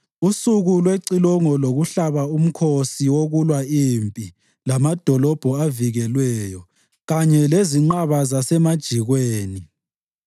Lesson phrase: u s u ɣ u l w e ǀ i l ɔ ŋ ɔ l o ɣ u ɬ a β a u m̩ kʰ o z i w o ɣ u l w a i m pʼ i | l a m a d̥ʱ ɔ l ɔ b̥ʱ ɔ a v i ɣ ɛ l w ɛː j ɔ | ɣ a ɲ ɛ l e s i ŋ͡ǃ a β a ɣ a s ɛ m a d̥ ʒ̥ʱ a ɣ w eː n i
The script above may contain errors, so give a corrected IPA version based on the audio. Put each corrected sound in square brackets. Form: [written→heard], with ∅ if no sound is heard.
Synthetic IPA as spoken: u s u ɣ u l w e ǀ i l ɔ ŋ ɔ l o ɣ u ɬ a β a u m̩ kʰ o [z→s] i w o ɣ u l w a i m pʼ i | l a m a d̥ʱ ɔ l ɔ b̥ʱ ɔ a v i ɣ ɛ l w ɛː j ɔ | ɣ a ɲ ɛ l e [s→z] i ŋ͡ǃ a β a [ɣ→z] a s ɛ m a d̥ ʒ̥ʱ [a→i] ɣ w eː n i